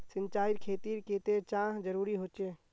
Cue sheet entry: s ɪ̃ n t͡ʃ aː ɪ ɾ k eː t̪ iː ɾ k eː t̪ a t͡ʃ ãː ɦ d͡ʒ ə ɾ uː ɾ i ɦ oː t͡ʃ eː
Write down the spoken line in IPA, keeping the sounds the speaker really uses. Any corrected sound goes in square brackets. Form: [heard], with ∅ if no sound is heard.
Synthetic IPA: s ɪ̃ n t͡ʃ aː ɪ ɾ [kʰ] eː t̪ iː ɾ k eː t̪ [e] t͡ʃ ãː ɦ d͡ʒ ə ɾ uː ɾ i ɦ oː t͡ʃ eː